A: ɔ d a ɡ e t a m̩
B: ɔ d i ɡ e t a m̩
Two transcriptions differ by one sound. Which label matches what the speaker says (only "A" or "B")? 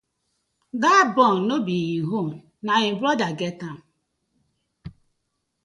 A